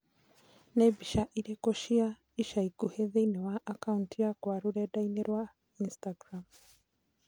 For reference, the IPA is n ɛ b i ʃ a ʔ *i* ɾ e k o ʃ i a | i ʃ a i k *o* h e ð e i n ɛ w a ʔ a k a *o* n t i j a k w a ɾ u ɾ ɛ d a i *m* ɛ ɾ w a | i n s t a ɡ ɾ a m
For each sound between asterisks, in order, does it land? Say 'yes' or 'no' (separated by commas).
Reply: yes, no, no, no